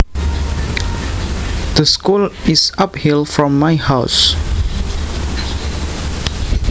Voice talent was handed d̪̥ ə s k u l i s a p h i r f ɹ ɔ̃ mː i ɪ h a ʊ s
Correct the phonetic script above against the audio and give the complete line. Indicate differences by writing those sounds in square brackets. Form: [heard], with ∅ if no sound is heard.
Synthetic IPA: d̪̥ ə s k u l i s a p h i [l] f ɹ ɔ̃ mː [a] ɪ h a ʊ s